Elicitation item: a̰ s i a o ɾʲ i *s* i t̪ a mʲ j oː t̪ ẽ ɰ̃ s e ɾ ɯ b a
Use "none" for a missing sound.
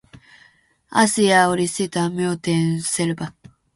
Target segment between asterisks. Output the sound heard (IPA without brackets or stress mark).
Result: s